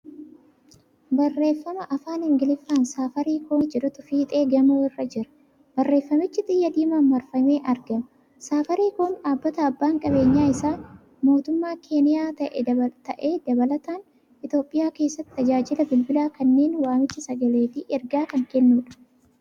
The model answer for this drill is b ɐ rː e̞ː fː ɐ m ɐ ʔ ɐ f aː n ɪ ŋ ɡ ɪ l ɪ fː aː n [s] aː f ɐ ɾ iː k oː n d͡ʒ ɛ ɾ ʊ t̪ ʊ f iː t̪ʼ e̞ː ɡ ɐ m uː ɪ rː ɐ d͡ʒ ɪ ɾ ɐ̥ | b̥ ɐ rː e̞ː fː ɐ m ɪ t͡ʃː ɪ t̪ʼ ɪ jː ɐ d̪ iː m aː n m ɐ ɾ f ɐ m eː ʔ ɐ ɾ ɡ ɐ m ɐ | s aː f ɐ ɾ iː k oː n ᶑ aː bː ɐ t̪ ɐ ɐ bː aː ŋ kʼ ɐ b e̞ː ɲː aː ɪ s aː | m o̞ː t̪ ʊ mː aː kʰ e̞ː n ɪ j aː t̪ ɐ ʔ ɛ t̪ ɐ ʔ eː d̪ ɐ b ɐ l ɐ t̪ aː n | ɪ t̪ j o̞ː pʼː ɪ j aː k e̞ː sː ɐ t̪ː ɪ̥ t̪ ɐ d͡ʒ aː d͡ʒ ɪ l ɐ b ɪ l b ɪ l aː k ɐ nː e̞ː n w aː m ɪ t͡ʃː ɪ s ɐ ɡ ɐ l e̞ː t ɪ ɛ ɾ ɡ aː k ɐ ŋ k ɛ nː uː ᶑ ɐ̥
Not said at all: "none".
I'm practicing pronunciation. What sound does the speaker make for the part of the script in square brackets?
s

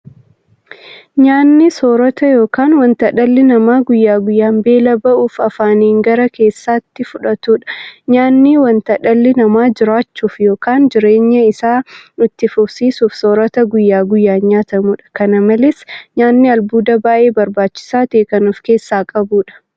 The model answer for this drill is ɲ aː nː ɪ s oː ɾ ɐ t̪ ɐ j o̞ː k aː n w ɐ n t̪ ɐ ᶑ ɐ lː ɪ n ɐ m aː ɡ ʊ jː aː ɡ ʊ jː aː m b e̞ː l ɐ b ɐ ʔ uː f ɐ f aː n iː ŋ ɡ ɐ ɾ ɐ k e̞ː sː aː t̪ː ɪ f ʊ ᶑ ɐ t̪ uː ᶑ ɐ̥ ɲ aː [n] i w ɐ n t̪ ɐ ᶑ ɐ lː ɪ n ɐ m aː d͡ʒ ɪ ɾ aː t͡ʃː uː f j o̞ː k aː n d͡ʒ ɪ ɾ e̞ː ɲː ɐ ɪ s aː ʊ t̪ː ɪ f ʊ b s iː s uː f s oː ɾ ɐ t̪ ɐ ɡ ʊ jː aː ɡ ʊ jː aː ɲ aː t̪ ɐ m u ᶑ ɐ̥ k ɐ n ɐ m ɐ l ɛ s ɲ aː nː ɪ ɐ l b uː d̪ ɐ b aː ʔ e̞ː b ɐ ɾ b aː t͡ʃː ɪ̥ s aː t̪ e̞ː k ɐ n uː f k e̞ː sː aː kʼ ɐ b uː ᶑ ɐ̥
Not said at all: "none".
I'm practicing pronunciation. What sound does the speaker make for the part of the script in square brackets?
nː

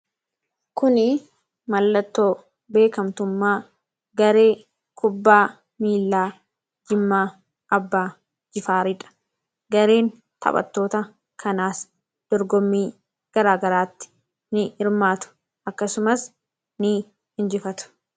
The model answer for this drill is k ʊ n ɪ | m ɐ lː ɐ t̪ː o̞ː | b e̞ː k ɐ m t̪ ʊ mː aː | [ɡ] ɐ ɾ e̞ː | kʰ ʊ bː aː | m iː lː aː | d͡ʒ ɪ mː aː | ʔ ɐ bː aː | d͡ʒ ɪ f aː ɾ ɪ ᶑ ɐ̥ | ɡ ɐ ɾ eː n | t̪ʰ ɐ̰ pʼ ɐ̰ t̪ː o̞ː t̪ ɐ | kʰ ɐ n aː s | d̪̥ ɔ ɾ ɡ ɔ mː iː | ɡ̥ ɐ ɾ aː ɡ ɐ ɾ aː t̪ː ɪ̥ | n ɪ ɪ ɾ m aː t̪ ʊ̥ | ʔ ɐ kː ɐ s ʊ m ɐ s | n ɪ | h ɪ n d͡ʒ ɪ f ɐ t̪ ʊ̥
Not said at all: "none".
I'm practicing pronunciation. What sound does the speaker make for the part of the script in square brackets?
ɡ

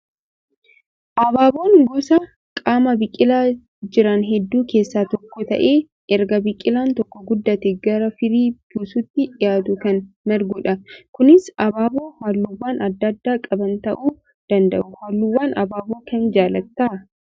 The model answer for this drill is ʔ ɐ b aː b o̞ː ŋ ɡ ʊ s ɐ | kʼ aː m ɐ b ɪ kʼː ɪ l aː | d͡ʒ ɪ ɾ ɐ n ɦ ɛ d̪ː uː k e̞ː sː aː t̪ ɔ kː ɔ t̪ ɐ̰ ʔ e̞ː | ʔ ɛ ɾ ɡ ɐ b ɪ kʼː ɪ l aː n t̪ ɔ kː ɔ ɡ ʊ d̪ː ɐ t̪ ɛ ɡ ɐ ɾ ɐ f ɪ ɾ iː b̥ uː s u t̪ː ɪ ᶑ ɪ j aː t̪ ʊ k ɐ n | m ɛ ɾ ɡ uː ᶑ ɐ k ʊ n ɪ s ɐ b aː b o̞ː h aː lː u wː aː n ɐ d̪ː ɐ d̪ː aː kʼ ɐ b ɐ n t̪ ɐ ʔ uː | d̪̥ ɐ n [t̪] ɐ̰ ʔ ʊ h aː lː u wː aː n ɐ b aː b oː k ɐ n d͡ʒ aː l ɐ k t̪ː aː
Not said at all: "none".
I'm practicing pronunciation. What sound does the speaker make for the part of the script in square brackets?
d̪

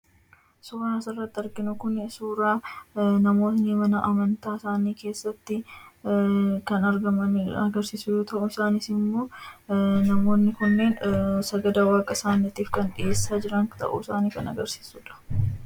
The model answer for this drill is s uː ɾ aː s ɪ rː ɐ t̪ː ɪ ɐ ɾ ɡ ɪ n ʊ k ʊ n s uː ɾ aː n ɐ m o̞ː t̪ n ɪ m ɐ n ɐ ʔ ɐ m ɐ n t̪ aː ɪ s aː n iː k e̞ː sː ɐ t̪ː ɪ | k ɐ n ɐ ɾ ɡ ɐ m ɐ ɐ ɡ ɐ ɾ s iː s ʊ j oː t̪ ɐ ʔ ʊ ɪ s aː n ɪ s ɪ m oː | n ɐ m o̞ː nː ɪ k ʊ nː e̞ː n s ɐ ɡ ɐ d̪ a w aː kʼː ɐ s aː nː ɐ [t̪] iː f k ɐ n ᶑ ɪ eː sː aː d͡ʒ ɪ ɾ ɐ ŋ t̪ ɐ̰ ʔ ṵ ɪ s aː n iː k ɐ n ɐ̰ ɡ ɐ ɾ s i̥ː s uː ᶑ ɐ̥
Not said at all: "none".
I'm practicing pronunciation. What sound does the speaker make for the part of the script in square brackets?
t̪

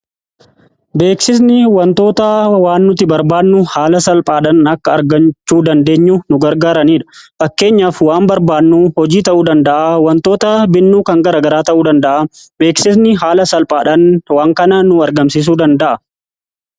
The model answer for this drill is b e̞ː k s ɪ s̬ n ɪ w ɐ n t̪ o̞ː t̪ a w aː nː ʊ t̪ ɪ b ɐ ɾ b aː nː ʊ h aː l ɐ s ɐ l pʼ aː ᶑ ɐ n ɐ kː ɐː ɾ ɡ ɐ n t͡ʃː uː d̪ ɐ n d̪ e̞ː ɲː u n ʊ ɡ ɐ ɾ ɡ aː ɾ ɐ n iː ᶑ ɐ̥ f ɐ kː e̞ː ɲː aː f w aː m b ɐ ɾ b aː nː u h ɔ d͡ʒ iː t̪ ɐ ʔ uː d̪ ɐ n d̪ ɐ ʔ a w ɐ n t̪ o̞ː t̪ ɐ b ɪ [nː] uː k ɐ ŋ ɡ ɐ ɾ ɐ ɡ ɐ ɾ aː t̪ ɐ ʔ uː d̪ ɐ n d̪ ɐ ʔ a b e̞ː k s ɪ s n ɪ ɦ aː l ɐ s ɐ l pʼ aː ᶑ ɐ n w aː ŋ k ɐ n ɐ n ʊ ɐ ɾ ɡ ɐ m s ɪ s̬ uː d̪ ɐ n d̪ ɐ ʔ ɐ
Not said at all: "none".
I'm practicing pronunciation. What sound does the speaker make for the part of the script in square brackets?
nː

